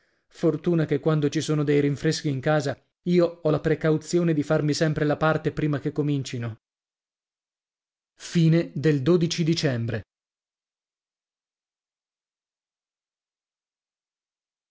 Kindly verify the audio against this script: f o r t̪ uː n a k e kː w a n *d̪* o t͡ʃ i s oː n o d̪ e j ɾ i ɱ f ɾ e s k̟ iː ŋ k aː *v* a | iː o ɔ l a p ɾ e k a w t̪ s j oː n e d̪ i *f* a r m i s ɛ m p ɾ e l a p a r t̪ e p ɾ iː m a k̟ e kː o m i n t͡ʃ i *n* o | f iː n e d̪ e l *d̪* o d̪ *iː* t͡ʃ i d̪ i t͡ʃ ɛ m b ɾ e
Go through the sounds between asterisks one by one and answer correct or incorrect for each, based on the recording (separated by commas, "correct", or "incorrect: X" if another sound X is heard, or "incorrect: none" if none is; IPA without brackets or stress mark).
correct, incorrect: z, correct, correct, correct, incorrect: i